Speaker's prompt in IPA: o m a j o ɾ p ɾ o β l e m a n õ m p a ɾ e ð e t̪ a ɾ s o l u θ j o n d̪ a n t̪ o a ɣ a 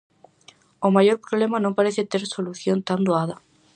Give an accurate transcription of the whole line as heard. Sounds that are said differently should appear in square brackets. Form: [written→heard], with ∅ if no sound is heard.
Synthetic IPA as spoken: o m a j o ɾ p ɾ o β l e m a n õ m p a ɾ e [ð→θ] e t̪ [a→e] ɾ s o l u θ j o n [d̪→t̪] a n [t̪→d̪] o a [ɣ→ð] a